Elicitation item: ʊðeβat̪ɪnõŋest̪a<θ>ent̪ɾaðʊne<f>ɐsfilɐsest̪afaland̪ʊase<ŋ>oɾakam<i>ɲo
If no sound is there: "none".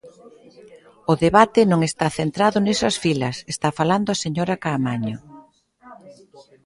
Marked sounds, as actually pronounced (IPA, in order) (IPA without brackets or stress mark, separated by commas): θ, s, ɲ, a